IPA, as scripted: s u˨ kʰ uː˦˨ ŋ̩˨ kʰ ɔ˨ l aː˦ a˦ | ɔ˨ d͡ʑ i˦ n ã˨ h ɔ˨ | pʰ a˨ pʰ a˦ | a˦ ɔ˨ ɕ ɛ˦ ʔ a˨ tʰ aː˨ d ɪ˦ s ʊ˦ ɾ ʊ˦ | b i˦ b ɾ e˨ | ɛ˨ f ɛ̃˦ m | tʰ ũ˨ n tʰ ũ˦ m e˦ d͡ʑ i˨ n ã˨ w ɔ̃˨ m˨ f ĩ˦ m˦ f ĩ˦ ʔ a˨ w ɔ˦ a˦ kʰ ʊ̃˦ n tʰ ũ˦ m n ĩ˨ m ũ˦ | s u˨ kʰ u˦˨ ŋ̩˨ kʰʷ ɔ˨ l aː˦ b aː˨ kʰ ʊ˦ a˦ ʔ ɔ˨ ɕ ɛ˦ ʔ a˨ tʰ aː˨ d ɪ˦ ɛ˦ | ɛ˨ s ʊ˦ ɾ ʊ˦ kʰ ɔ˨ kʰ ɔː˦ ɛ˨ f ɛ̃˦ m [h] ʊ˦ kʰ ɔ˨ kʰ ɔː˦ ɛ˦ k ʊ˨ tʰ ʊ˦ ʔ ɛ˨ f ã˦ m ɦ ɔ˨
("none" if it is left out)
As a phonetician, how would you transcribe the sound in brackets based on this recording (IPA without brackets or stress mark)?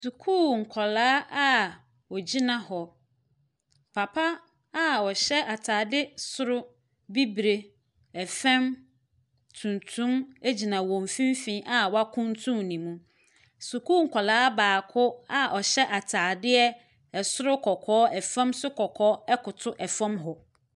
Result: s